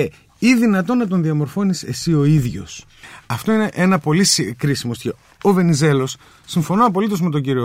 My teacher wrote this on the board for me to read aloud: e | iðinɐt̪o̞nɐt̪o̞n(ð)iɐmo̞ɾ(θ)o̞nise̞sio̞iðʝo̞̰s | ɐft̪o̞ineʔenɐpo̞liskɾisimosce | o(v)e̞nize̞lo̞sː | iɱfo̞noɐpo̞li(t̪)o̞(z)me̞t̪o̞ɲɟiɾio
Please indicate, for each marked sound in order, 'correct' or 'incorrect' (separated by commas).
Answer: correct, incorrect, correct, correct, correct